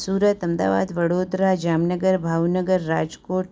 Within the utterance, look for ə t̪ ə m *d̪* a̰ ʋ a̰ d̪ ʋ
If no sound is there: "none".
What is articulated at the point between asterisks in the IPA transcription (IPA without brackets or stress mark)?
d̪